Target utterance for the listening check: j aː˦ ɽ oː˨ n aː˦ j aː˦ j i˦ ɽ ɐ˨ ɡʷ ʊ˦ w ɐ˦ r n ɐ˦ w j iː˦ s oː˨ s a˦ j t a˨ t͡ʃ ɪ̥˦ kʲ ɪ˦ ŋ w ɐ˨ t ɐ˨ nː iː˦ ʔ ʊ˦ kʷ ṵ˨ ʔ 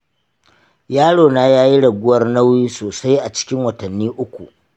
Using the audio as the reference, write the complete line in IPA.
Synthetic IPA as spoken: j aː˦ ɽ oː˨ n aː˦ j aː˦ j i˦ ɽ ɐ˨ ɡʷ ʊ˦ w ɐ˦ r n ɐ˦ w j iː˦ s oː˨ s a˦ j ʔ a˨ t͡ʃ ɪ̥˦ kʲ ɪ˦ ŋ w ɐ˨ t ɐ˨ nː iː˦ ʔ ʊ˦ kʷ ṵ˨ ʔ

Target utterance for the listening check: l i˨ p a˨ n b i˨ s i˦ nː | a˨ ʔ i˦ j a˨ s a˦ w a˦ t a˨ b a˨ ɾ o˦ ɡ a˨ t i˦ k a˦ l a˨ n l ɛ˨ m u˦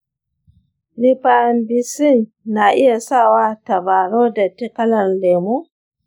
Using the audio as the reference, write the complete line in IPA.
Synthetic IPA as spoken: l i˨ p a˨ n b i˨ s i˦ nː | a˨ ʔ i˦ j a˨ s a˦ w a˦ t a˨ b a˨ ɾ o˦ d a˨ t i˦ k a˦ l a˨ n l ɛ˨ m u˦

